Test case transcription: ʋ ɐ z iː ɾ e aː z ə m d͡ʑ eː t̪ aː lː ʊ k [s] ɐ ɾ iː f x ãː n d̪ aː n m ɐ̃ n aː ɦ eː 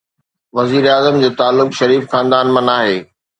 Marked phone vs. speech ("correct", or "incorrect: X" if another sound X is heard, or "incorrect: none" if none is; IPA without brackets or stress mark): incorrect: ʃ